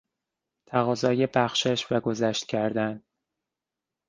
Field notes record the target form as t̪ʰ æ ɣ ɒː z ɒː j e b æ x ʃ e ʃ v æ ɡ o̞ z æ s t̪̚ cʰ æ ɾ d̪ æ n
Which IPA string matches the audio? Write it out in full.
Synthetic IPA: t̪ʰ æ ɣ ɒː z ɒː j e b æ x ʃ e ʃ v æ ɡ o̞ z æ ʃ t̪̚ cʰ æ ɾ d̪ æ n